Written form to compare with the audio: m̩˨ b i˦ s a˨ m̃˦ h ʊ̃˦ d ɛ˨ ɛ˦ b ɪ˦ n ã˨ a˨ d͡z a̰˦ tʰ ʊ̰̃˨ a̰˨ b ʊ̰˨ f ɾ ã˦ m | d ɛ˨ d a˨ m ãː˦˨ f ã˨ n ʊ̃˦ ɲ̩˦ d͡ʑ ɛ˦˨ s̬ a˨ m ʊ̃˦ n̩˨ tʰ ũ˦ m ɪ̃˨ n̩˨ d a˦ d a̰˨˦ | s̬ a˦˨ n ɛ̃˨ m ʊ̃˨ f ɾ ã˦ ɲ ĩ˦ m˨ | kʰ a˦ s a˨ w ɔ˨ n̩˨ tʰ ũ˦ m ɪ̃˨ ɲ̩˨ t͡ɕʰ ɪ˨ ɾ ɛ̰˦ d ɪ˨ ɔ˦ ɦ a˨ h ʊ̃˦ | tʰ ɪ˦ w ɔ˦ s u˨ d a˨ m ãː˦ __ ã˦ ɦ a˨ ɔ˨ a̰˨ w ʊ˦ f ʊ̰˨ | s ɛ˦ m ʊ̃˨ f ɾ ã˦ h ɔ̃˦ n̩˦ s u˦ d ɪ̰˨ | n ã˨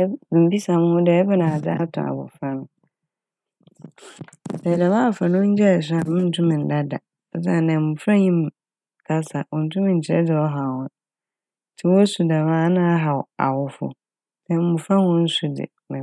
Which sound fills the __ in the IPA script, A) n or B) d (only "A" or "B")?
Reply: A